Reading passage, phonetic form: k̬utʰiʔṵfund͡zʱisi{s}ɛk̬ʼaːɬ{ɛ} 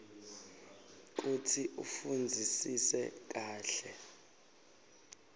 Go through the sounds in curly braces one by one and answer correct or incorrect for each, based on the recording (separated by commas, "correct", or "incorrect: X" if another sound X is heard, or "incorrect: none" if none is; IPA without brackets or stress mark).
correct, correct